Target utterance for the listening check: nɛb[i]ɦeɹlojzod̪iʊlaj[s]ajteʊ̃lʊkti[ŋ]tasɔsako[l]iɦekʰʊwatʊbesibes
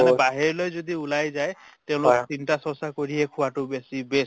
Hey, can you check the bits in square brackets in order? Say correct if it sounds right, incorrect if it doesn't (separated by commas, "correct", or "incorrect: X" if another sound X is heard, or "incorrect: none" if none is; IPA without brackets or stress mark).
incorrect: a, incorrect: z, incorrect: n, incorrect: ɹ